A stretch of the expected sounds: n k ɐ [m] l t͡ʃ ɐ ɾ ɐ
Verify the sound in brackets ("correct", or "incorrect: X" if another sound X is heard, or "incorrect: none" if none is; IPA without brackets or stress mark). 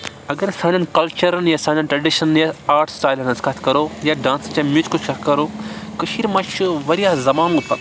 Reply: incorrect: none